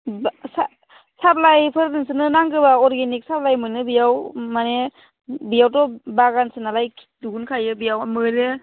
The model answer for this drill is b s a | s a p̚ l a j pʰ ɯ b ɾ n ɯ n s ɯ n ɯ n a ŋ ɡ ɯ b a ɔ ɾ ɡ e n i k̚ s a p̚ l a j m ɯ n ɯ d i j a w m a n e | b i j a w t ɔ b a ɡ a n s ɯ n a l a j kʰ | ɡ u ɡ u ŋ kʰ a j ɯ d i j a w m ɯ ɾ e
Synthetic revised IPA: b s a | s a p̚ l a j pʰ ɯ ɾ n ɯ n s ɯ n ɯ n a ŋ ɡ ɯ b a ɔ ɾ ɡ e n i k̚ s a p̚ l a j m ɯ n ɯ b i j a w m a n e | b i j a w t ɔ b a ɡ a n s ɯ n a l a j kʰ | d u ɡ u n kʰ a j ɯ b i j a w m ɯ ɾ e